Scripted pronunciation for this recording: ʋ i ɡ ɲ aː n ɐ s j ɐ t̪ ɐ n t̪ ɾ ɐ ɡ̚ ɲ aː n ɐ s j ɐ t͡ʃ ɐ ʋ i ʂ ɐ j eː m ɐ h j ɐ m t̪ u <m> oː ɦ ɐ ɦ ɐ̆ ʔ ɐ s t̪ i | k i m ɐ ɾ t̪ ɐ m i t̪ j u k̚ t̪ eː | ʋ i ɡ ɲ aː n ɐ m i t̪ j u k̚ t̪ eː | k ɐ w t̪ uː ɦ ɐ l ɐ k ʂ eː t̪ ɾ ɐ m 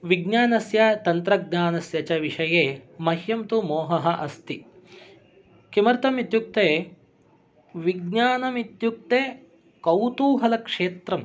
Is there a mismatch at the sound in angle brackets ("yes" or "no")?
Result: no